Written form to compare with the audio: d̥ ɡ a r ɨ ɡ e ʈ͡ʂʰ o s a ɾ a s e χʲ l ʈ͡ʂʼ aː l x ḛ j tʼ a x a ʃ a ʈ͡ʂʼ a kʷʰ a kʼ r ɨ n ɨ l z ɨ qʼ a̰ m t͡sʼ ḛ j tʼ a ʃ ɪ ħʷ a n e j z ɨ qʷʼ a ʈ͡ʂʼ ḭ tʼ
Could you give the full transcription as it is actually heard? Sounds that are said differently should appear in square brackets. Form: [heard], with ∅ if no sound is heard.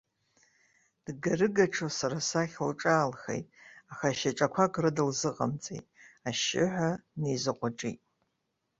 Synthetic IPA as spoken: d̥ ɡ a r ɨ ɡ [a] ʈ͡ʂʰ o s a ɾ a s [a] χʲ l ʈ͡ʂʼ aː l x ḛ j tʼ a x a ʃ a ʈ͡ʂʼ a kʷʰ a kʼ r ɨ [d] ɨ l z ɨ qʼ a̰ m t͡sʼ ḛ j tʼ a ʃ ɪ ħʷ a n e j z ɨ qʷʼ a ʈ͡ʂʼ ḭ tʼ